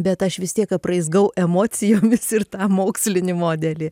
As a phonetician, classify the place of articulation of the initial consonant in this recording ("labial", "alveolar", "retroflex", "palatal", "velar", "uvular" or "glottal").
labial